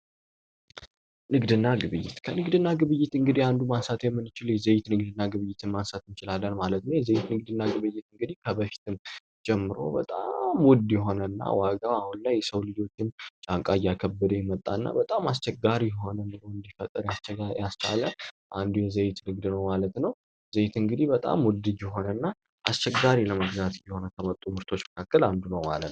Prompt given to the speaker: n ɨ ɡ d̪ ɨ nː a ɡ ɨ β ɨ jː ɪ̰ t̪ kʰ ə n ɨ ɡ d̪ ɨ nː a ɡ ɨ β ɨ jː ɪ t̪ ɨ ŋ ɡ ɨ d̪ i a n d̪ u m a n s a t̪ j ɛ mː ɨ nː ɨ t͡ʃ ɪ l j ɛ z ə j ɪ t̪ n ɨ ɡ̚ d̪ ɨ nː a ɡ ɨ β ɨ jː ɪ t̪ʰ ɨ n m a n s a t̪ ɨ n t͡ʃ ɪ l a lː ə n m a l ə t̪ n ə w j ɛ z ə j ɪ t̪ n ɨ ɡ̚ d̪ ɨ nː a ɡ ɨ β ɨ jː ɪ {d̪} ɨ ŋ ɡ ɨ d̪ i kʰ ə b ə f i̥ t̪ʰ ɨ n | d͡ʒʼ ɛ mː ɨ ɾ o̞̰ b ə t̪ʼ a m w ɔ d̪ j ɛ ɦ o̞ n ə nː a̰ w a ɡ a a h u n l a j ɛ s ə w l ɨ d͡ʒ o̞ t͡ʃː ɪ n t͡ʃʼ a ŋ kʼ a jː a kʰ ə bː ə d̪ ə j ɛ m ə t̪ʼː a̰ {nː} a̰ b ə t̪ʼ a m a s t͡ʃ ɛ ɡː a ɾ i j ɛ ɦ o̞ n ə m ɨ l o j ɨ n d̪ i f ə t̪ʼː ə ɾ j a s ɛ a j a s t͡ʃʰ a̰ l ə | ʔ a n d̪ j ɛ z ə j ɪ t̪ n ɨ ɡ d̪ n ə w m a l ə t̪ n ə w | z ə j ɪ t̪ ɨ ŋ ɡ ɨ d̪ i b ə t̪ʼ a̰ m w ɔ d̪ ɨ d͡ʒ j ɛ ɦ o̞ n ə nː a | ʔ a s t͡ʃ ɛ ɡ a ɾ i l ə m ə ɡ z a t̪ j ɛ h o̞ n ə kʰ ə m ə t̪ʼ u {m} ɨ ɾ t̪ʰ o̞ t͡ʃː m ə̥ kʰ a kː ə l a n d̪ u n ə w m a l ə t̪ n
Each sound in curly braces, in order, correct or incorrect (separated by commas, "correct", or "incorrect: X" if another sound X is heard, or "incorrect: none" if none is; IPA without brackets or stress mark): incorrect: t̪, correct, correct